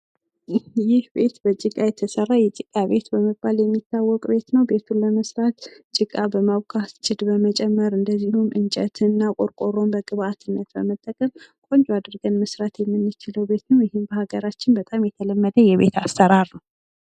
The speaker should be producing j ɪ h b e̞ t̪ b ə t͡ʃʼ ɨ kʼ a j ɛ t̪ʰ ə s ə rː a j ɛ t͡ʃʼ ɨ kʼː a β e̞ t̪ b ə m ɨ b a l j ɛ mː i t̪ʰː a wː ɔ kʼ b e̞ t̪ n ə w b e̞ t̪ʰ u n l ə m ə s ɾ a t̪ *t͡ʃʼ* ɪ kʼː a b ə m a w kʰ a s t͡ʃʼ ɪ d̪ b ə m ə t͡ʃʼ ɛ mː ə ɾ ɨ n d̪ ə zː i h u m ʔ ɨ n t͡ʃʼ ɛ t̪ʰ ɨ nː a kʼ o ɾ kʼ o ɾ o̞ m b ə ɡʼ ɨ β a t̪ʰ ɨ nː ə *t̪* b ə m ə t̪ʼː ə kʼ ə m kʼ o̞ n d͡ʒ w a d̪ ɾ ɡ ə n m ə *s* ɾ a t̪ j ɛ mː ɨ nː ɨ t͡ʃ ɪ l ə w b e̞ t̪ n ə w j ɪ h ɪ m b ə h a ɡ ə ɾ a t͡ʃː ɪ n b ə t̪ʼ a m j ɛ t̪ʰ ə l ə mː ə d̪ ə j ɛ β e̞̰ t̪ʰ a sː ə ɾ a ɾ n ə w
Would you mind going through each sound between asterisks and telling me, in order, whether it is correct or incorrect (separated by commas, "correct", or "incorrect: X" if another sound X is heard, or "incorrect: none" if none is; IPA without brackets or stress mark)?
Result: correct, correct, correct